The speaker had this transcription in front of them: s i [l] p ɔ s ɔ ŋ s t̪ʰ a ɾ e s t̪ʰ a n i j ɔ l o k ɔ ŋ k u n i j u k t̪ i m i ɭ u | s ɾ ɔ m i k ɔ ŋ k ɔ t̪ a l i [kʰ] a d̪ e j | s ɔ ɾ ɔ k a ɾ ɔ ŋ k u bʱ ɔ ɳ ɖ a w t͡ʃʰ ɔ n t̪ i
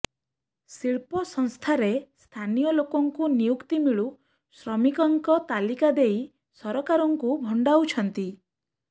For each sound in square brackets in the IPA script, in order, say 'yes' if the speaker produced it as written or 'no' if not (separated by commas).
no, no